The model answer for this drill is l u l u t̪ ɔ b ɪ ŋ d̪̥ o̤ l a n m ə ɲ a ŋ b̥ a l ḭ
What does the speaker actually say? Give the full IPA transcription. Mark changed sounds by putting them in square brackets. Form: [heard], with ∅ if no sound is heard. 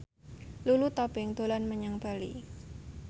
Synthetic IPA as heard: l u l u t̪ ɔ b ɪ ŋ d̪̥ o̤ l a n m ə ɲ a ŋ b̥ a l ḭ